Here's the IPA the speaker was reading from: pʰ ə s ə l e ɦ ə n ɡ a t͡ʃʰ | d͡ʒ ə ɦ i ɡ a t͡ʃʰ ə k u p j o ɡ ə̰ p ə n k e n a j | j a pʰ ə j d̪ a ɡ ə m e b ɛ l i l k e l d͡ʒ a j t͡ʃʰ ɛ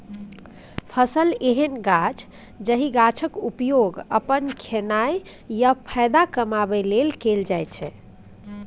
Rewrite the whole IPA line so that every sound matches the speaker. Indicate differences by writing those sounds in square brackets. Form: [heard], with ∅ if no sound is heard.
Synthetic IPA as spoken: pʰ ə s ə l e ɦ ə n ɡ a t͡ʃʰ | d͡ʒ ə ɦ i ɡ a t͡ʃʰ ə k u p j o ɡ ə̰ p ə n [kʰ] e n a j | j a pʰ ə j d̪ a [k] ə m [a] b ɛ l [e] l k e l d͡ʒ a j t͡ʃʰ ɛ